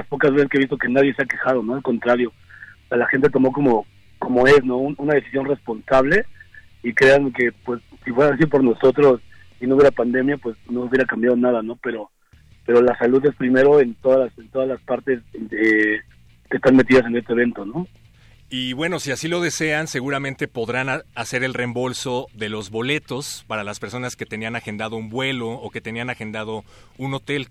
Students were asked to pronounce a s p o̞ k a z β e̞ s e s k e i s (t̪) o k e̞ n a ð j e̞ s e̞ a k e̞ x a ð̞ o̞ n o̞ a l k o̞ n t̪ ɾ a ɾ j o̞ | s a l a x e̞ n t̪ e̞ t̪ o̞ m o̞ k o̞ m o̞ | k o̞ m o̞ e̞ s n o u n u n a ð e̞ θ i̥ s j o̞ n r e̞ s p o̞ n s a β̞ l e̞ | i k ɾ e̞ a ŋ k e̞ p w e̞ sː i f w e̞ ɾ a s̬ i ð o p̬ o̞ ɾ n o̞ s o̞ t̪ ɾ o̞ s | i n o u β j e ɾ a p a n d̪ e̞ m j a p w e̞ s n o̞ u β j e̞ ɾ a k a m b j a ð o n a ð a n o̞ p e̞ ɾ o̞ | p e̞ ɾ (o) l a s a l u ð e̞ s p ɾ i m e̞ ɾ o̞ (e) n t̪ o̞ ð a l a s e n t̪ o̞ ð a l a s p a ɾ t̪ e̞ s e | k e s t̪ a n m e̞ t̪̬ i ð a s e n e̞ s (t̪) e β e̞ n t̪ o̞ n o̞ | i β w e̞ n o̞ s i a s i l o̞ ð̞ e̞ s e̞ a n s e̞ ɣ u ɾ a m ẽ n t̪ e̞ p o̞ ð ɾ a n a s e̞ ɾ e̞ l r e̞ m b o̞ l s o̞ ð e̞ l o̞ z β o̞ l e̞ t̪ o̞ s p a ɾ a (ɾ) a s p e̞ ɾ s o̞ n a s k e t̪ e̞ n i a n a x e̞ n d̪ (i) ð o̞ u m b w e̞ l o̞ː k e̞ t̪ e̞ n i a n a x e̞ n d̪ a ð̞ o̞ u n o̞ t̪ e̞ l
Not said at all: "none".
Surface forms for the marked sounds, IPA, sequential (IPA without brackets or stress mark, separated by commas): t̪, o, e, t̪, l, a